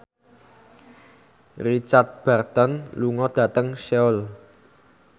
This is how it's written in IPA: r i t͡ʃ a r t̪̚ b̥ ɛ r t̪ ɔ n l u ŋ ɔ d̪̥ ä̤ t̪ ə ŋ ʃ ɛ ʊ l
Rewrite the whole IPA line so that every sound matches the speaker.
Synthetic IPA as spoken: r i t͡ʃ a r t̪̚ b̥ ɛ r t̪ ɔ n l u ŋ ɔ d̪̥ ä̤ t̪ ə ŋ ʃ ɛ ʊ l